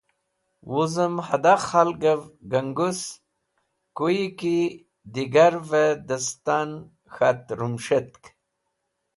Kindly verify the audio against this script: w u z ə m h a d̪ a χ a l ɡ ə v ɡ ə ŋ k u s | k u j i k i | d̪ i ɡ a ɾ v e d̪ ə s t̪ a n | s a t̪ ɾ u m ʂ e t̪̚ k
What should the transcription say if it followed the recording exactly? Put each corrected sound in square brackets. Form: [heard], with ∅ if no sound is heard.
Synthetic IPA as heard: w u z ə m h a d̪ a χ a l ɡ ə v ɡ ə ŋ [ɡ] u s | k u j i k i | d̪ i ɡ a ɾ v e d̪ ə s t̪ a n | [x] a t̪ ɾ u m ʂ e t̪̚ k